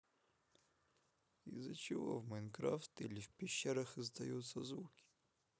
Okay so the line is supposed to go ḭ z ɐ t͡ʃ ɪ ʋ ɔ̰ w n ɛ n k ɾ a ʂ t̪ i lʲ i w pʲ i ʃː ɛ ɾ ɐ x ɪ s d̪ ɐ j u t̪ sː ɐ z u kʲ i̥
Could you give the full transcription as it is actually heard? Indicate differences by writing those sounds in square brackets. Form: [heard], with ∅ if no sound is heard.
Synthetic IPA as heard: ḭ z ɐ t͡ʃ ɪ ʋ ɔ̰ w [m] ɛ n k ɾ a [f] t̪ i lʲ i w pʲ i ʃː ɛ ɾ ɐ x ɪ [z] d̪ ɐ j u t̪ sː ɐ z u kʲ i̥